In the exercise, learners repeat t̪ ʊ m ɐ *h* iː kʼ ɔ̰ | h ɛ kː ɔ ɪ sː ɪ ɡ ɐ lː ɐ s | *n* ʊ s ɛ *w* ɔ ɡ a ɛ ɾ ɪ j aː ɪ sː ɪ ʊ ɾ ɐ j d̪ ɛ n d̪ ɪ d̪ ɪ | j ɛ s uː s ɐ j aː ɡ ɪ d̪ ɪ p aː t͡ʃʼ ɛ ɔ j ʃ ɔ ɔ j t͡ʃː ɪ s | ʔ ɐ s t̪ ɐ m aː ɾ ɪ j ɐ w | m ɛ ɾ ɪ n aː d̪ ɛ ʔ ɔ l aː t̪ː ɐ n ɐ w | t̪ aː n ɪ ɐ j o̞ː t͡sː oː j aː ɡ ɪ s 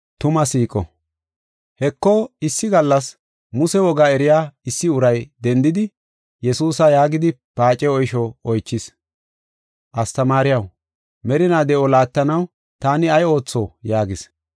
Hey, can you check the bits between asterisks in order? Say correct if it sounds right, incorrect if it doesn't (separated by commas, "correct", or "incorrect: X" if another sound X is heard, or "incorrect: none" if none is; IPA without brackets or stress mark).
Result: incorrect: s, incorrect: m, correct